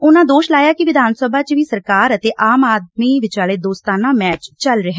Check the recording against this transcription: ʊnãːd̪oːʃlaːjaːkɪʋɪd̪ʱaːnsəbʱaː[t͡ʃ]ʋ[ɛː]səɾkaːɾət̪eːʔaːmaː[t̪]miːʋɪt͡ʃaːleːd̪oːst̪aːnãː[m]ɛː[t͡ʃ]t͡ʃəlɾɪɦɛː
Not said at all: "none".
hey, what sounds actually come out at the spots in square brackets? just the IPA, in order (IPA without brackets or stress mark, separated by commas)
t͡ʃ, iː, d̪, m, t͡ʃ